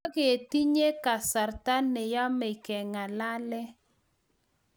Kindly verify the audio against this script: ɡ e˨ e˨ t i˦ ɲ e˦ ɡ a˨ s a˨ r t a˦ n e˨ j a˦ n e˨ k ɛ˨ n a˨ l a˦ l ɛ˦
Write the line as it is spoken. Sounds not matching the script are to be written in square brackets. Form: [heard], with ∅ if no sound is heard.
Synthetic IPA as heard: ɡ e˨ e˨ t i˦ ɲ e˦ [k] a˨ s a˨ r t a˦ n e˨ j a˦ [m] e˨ k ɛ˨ [ŋ] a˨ l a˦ l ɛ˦